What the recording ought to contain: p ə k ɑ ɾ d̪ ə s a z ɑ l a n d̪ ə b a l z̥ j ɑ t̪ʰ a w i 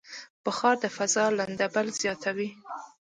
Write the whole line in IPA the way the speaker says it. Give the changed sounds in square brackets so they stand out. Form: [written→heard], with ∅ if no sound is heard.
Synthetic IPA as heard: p ə [k→x] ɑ ɾ d̪ ə [s→f] a z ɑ l a n d̪ [ə→a] b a l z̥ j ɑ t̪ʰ a w i